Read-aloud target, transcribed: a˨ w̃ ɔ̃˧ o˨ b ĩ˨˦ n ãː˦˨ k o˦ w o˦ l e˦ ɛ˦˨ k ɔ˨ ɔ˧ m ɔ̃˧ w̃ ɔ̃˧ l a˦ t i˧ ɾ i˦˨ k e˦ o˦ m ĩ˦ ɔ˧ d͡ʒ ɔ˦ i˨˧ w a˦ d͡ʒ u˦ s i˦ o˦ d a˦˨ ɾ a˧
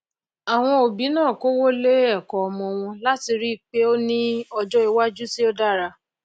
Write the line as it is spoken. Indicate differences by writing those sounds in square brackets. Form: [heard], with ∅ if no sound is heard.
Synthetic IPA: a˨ w̃ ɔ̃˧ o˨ b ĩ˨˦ n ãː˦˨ k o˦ w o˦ l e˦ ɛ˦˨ k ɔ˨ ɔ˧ m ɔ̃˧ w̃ ɔ̃˧ l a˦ t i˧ ɾ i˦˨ [k͡p] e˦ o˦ [n] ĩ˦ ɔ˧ d͡ʒ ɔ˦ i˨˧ w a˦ d͡ʒ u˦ s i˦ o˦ d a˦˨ ɾ a˧